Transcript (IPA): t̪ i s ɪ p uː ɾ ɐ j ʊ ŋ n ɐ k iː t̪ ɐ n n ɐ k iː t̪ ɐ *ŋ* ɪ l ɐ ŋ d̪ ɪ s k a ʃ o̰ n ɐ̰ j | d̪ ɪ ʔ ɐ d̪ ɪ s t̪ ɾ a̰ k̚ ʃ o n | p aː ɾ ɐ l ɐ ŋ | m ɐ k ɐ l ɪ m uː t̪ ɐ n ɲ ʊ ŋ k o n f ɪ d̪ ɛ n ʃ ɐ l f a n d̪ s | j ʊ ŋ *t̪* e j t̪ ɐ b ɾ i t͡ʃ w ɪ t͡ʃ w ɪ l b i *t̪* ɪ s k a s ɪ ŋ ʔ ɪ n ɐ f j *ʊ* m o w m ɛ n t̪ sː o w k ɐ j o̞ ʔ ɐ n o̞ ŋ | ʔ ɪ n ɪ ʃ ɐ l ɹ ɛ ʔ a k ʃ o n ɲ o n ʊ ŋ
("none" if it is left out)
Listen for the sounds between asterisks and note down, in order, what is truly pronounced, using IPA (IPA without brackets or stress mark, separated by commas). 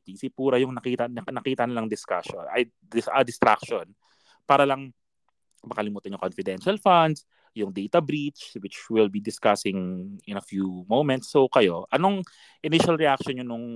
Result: n, d̪, d̪, u